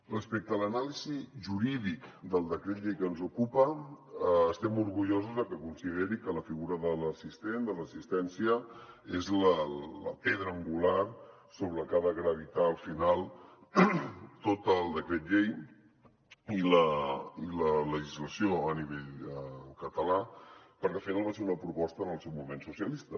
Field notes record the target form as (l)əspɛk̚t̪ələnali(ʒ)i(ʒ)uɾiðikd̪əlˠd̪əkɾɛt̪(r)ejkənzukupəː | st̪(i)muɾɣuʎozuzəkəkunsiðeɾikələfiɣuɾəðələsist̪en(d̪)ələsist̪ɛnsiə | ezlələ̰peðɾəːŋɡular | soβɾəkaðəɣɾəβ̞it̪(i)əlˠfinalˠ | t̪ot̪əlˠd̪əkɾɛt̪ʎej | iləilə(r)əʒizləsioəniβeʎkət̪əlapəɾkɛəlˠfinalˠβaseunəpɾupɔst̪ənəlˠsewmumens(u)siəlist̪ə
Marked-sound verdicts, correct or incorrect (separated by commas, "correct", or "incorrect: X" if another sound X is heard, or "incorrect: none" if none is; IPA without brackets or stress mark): incorrect: r, incorrect: z, correct, incorrect: ʎ, incorrect: ɛ, correct, incorrect: a, incorrect: l, correct